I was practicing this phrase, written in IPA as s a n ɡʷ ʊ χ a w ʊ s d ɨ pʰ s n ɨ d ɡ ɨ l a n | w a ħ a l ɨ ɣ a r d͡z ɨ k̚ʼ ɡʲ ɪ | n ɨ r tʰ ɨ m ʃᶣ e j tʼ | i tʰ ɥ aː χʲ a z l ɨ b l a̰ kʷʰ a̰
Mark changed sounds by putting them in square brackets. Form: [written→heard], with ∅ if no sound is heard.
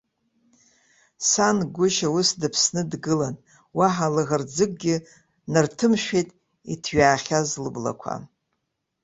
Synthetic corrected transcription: s a n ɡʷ ʊ [χ→ʃ] a w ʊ s d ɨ pʰ s n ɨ d ɡ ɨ l a n | w a ħ a l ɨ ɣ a r d͡z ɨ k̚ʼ ɡʲ ɪ | n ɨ r tʰ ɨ m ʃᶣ e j tʼ | i tʰ ɥ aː χʲ a z l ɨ b l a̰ kʷʰ a̰